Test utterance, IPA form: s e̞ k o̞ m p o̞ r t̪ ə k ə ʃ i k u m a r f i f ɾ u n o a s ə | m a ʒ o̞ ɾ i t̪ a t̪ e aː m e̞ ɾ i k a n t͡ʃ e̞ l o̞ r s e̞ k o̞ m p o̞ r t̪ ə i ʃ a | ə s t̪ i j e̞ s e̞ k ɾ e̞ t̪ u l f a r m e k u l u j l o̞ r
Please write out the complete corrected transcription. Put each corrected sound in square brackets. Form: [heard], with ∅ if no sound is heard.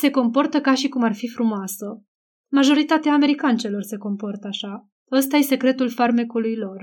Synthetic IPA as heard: s e̞ k o̞ m p o̞ r t̪ ə k [a] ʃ i k u m a r f i f ɾ u [m] o a s ə | m a ʒ o̞ ɾ i t̪ a t̪ e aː m e̞ ɾ i k a n t͡ʃ e̞ l o̞ r s e̞ k o̞ m p o̞ r t̪ ə [a] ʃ a | ə s t̪ [a] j e̞ s e̞ k ɾ e̞ t̪ u l f a r m e k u l u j l o̞ r